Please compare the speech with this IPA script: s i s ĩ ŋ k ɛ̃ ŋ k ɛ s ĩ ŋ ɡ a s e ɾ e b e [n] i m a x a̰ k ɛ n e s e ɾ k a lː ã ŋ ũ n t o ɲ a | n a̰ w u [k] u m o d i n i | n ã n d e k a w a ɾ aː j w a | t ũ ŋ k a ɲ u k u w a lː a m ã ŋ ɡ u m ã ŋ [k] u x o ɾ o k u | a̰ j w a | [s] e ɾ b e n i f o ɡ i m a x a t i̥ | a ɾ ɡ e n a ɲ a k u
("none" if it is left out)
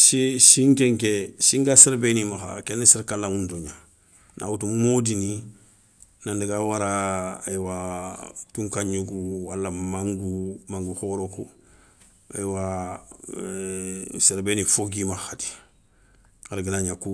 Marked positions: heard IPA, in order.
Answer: n, t, ɡ, s

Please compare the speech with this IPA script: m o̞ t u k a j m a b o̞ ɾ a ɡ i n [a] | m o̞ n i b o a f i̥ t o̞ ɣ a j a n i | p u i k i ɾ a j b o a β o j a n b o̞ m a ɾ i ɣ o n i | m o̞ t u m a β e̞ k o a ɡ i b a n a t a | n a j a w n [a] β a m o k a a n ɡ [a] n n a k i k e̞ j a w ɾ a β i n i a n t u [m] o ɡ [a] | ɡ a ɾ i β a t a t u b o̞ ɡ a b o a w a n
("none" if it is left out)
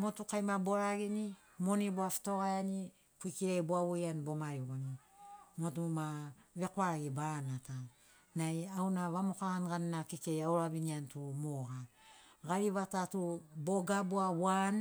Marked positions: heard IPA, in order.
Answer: i, a, a, m, a

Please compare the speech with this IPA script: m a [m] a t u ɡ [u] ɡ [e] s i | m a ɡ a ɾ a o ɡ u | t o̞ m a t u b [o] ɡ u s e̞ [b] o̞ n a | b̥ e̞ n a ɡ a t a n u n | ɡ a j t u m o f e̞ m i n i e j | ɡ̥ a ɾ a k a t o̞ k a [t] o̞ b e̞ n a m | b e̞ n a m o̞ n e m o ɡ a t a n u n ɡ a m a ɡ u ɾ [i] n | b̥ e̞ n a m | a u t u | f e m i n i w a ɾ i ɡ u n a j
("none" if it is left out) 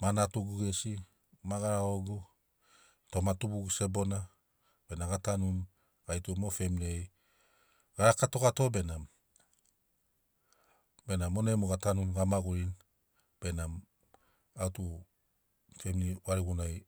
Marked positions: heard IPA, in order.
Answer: n, u, e, u, b, t, i

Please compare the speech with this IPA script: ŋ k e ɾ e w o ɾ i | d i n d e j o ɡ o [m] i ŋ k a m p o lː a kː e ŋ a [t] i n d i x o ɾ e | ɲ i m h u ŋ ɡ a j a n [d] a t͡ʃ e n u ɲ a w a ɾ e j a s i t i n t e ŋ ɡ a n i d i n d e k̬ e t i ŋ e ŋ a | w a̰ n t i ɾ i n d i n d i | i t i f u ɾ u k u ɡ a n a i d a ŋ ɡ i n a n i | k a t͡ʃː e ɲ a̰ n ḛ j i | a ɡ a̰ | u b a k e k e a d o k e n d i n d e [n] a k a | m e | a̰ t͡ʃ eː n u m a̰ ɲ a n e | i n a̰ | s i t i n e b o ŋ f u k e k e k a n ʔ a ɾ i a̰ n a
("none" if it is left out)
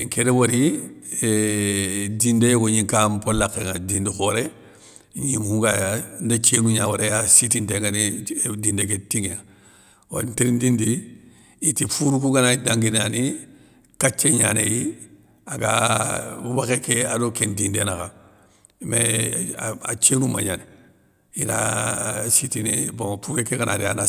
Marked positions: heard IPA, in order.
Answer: ɲ, d, d, n

